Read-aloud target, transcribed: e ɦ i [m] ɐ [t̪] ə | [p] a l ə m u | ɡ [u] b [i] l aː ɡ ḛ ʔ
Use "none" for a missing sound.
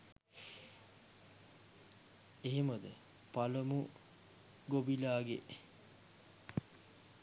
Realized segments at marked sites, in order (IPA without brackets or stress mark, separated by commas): m, d̪, p, o, i